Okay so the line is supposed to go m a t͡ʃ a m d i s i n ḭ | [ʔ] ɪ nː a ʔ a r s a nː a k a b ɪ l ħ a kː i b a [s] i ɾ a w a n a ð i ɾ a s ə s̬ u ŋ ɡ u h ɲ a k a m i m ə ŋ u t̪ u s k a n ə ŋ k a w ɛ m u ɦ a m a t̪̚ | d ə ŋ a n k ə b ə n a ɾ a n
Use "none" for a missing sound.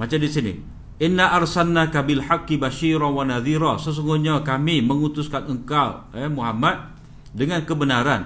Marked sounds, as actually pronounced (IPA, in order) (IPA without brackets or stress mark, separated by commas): ʔ, ʃ